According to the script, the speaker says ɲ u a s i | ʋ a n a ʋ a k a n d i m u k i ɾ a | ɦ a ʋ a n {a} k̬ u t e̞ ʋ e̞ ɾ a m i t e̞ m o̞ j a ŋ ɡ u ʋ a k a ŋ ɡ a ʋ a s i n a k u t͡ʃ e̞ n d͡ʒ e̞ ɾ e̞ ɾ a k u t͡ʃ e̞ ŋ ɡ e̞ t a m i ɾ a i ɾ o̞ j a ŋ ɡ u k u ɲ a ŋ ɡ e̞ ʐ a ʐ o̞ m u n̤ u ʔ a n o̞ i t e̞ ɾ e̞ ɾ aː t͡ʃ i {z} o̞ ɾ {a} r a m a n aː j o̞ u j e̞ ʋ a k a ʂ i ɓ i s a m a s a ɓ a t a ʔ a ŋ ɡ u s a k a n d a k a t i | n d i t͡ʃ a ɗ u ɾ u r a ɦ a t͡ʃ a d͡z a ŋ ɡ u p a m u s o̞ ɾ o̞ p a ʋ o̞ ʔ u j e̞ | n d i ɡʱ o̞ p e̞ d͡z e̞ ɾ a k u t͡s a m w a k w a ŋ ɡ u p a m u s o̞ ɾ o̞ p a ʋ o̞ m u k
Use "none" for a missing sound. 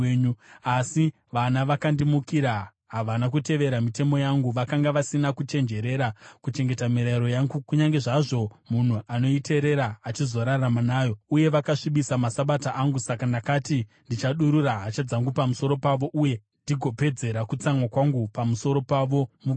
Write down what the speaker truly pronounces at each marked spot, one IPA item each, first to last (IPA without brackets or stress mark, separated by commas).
a, z, a